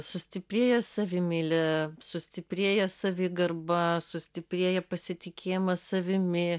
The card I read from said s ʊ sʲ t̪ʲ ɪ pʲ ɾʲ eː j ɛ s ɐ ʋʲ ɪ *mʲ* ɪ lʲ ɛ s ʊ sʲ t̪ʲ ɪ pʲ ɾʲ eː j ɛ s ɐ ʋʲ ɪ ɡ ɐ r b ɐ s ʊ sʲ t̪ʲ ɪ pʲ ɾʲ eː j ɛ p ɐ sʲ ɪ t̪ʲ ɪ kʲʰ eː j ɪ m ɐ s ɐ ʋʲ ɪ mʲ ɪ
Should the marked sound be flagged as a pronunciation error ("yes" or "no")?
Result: no